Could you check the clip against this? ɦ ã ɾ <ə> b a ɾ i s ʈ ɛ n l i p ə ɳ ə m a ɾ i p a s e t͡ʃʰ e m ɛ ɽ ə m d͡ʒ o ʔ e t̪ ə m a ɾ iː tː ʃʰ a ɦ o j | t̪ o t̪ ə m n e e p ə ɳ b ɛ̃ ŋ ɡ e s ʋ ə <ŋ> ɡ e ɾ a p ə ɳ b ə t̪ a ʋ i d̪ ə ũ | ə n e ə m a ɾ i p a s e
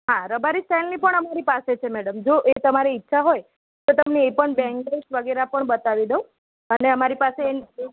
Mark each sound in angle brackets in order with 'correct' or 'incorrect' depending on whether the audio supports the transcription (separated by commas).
correct, incorrect